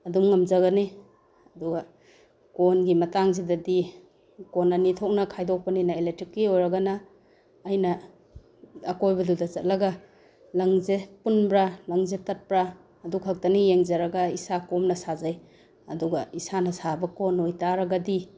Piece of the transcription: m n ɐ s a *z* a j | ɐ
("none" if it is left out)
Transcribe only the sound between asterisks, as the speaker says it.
z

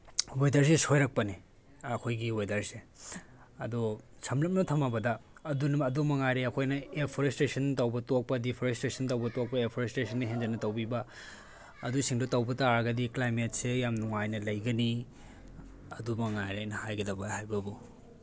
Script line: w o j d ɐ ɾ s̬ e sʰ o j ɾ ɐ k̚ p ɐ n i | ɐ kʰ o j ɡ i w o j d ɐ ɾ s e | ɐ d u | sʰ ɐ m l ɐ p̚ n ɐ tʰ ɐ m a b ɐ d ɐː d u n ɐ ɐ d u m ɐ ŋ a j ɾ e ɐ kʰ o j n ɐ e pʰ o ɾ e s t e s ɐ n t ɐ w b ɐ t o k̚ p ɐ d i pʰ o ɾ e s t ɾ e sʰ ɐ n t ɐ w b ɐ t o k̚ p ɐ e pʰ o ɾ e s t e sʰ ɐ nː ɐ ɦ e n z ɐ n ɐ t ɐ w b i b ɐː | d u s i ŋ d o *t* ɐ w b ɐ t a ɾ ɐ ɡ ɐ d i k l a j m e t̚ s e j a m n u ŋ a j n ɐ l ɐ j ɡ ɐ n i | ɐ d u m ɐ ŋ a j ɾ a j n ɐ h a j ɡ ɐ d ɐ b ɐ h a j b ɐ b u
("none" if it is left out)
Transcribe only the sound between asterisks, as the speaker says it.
t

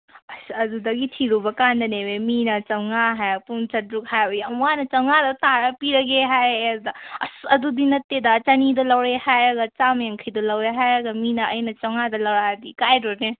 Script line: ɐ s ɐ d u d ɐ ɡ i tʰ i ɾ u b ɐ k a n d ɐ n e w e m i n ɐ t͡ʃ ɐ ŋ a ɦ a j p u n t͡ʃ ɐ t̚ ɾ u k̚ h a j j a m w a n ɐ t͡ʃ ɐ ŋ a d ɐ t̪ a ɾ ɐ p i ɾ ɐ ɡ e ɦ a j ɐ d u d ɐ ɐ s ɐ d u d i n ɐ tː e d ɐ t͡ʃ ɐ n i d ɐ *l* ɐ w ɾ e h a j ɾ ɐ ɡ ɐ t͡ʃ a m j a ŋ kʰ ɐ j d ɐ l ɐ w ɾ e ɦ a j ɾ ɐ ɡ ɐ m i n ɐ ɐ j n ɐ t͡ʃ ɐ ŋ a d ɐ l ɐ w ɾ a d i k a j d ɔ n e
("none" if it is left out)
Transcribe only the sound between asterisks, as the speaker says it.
l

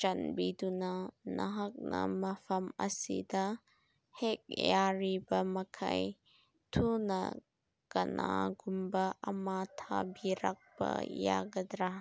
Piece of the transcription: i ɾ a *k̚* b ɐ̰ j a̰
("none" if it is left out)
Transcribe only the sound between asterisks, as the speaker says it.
k̚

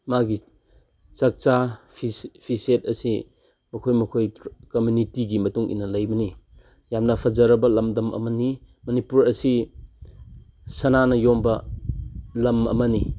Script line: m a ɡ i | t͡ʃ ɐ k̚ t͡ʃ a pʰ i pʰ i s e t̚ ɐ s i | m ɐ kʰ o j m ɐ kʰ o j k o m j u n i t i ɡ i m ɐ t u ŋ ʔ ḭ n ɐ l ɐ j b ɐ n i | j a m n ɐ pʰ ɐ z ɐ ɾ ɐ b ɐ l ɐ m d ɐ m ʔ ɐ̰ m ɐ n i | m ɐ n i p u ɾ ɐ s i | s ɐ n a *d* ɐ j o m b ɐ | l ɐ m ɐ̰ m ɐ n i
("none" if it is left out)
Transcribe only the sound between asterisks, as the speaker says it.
n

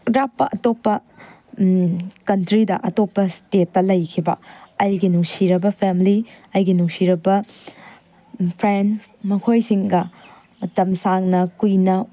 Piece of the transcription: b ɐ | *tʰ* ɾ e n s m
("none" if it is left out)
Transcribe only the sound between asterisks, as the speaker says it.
pʰ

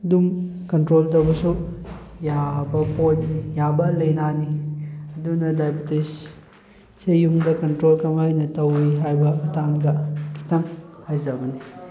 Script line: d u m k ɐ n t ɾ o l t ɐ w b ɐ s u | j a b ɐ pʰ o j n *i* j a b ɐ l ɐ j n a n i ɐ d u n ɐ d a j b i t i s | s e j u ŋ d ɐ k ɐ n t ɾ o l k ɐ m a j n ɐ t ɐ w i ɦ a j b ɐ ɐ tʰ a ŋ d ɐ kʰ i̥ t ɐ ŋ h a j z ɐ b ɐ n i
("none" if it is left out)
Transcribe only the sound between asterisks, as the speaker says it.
i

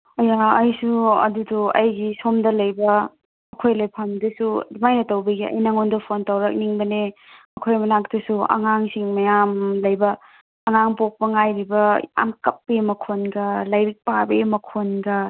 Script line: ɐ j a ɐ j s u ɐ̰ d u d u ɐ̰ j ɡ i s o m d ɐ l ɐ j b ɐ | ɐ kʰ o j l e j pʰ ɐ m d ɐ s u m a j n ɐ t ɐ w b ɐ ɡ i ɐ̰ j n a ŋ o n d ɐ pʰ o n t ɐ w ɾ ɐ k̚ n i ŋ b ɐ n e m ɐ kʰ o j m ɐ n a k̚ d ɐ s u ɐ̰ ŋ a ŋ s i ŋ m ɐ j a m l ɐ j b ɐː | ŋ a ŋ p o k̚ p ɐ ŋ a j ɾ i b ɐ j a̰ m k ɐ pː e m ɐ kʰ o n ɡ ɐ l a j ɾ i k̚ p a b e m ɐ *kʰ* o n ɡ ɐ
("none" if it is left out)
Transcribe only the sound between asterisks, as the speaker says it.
kʰ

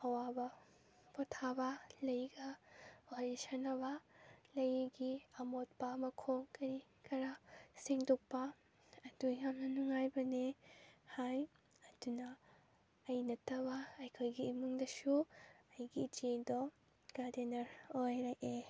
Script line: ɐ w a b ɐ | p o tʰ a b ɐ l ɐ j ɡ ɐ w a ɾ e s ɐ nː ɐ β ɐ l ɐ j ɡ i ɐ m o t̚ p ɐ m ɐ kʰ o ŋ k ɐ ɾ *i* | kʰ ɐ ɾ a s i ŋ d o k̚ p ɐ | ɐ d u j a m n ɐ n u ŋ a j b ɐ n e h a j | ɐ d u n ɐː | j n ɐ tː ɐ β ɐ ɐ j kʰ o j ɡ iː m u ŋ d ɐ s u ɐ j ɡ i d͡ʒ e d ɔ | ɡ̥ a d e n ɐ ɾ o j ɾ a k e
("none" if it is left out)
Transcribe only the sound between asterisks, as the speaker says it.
i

